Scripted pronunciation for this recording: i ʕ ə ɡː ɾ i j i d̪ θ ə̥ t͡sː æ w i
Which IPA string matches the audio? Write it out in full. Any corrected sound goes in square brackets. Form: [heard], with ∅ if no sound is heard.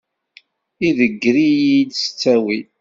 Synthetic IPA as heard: i [ð] ə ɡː ɾ i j i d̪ [s] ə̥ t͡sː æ w i